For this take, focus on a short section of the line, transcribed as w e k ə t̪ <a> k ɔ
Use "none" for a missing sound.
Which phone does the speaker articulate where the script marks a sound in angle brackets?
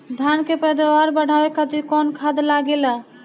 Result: i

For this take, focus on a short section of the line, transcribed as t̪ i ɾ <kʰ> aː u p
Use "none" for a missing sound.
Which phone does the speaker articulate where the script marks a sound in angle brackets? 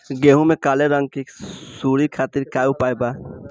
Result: k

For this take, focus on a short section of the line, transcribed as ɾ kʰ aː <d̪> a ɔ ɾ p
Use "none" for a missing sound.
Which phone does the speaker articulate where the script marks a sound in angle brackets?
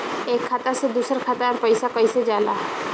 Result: t̪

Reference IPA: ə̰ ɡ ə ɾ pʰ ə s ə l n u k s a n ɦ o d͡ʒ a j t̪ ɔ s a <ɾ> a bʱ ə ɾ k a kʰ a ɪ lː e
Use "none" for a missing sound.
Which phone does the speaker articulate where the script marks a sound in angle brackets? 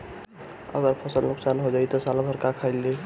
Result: l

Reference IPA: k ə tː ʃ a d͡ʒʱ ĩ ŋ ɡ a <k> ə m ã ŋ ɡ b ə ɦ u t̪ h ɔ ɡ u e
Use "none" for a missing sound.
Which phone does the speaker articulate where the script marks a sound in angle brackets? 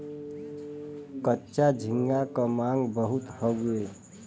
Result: k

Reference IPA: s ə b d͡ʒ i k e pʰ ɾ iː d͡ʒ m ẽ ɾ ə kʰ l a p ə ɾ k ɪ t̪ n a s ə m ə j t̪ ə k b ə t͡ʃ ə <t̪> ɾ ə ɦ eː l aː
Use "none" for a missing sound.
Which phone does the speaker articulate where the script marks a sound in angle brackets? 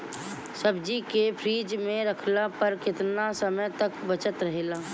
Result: t̪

